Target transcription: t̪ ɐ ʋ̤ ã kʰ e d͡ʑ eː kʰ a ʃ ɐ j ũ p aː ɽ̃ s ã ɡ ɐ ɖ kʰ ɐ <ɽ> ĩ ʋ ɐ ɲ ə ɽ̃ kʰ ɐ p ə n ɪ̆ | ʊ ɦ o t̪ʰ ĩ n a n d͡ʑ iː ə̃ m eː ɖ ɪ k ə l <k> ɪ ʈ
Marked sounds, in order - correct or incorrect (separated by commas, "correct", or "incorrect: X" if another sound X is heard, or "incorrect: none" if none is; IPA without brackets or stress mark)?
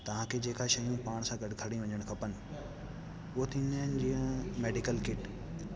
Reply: correct, correct